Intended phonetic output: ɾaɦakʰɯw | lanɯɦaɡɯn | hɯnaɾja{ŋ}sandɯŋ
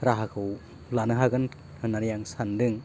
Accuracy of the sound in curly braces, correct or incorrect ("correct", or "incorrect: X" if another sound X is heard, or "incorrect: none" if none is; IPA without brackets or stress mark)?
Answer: correct